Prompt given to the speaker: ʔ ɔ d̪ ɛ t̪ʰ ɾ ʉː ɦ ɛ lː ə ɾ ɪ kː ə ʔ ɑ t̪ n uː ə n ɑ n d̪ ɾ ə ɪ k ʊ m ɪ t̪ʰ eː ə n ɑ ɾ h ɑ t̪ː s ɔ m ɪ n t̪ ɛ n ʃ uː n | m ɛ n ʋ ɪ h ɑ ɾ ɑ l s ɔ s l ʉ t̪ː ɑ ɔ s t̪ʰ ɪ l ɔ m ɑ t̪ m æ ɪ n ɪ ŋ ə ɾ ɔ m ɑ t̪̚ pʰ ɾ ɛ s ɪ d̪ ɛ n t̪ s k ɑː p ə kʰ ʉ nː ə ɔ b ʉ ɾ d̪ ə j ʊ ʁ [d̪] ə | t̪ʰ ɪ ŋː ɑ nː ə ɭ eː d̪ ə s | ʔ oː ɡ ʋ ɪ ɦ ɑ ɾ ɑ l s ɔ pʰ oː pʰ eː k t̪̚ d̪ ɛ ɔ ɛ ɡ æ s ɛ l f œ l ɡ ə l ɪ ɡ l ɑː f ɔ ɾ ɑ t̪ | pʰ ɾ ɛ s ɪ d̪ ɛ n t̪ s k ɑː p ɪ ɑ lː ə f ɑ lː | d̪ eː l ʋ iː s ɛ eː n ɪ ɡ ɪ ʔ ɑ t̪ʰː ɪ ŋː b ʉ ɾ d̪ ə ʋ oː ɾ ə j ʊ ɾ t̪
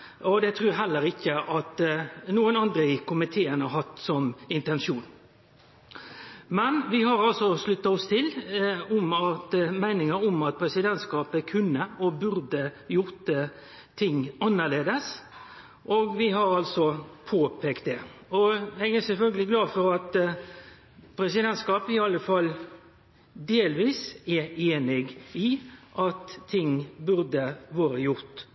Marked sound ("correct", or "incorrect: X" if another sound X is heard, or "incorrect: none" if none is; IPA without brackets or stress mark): incorrect: t̪